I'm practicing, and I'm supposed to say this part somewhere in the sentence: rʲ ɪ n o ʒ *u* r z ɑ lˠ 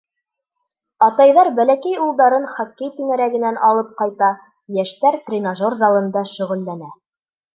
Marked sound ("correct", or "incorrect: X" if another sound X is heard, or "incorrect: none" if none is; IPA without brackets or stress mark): incorrect: o